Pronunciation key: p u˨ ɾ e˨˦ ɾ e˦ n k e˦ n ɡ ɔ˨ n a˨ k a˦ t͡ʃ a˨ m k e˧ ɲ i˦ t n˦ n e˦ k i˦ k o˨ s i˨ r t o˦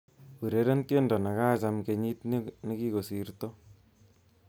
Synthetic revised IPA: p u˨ ɾ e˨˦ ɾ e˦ n k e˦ n d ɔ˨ n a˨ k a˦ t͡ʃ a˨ m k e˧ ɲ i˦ t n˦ n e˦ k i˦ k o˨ s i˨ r t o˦